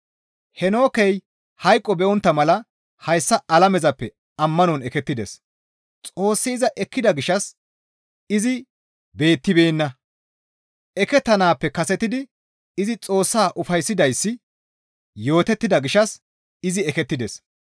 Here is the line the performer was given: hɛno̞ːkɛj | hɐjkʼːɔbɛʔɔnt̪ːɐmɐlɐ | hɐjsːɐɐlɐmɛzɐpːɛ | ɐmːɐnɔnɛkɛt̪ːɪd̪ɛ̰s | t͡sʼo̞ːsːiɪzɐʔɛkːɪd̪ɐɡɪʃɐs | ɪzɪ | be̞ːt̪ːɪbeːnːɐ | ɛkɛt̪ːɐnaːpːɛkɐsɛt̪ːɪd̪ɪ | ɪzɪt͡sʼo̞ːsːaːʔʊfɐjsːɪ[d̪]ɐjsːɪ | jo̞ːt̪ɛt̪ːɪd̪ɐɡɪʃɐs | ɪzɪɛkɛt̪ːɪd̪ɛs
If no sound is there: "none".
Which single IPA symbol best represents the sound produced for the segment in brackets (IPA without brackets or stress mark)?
d̪